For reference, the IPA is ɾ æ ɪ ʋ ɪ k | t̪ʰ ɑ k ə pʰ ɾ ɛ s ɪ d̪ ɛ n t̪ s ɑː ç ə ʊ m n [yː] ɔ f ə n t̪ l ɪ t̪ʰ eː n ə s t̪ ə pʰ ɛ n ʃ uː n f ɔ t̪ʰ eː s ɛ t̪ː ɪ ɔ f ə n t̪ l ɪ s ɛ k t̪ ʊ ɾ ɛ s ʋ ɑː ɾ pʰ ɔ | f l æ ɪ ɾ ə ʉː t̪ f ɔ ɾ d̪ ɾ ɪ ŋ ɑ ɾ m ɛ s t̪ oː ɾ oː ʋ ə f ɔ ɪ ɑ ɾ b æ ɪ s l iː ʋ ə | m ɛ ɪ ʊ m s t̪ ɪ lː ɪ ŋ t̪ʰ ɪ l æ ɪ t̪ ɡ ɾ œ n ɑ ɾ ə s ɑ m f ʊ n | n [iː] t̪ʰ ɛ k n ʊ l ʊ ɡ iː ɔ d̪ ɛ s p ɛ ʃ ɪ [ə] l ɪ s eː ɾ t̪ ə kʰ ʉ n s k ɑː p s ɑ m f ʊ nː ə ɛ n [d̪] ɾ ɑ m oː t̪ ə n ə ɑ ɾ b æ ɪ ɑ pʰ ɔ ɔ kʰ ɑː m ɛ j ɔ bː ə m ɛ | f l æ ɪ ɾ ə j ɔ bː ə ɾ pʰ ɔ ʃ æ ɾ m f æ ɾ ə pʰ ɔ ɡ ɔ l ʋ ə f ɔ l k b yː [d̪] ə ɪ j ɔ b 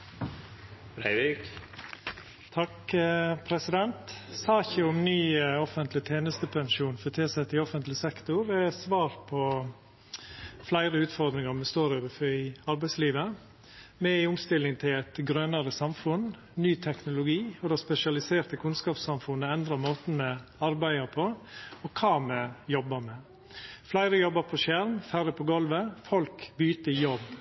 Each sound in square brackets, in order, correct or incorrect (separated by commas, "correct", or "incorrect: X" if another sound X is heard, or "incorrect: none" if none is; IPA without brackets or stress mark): correct, incorrect: yː, incorrect: ɑ, correct, incorrect: t̪